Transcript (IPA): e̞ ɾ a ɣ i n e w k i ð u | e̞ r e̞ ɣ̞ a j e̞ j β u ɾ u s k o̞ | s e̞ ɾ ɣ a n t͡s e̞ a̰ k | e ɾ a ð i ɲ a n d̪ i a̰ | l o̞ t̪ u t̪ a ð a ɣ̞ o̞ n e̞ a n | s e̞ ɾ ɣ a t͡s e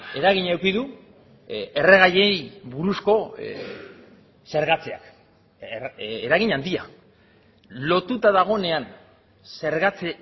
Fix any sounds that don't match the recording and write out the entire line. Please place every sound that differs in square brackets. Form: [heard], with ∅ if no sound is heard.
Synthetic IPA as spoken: e̞ ɾ a ɣ i [ɲ] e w k i ð u | e̞ r e̞ ɣ̞ a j e̞ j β u ɾ u s k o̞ | s e̞ ɾ ɣ a [∅] t͡s e̞ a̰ k | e ɾ a [ɣ] i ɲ a n d̪ i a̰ | l o̞ t̪ u t̪ a ð a ɣ̞ o̞ n e̞ a n | s e̞ ɾ ɣ a t͡s e